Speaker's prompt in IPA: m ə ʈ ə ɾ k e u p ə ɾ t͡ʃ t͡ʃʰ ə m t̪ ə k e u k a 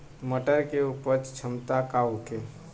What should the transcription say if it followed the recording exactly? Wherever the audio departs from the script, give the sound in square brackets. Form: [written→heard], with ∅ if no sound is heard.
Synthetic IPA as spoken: m ə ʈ ə ɾ k e u p ə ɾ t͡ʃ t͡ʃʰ ə m t̪ [ə→a] k [e→a] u k [a→e]